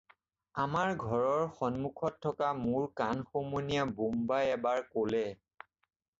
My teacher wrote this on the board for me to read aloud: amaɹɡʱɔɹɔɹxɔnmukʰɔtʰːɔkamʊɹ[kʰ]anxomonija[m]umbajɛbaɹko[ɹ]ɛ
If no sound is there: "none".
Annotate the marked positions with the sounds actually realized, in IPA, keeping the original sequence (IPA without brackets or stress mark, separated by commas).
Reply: k, b, l